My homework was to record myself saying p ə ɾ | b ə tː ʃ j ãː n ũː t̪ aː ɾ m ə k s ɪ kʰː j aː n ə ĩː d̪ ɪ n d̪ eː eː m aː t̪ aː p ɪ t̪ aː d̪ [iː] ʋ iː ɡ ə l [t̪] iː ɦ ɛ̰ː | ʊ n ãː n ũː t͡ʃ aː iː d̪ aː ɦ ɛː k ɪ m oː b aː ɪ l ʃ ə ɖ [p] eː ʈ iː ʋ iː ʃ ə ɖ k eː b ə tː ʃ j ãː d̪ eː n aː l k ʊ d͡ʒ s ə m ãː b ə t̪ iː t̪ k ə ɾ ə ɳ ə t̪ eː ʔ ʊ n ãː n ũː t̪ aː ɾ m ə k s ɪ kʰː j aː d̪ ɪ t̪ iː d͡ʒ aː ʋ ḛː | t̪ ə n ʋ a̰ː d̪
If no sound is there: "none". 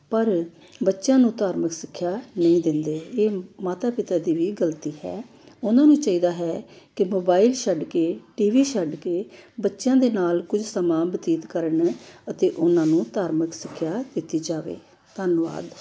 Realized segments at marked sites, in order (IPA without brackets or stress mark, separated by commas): iː, t̪, k